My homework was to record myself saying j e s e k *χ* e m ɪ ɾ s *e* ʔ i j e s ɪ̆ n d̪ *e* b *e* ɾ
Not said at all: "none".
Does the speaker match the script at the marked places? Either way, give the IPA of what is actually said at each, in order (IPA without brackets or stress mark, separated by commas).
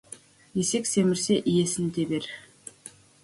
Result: s, e, e, e